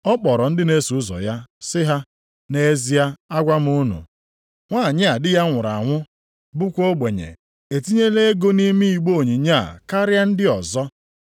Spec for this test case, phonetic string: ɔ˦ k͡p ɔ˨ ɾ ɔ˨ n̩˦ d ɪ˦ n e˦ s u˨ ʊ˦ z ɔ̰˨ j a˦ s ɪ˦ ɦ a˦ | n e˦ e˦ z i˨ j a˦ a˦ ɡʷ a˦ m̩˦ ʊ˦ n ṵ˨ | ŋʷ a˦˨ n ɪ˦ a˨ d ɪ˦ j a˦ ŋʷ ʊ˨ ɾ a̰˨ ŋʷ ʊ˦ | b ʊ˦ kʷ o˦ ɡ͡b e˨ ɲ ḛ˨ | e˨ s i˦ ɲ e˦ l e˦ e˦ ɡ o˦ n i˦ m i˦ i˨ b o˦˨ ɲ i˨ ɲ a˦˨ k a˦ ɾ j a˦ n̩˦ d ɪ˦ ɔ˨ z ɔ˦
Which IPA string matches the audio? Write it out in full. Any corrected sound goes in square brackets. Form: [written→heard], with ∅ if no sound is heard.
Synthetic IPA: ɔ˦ k͡p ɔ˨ ɾ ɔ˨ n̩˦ d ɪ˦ n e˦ s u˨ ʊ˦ z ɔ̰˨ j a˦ s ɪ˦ ɦ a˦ | n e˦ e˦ z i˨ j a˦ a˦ ɡʷ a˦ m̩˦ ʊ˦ n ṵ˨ | ŋʷ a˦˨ [n→ɲ] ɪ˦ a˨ d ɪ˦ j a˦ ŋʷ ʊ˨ ɾ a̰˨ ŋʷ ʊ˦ | b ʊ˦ kʷ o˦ ɡ͡b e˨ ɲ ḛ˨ | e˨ [s→t] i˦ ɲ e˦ l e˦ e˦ ɡ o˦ n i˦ m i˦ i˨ [b→ɡ͡b] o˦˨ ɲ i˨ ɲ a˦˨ k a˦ ɾ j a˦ n̩˦ d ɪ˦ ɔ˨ z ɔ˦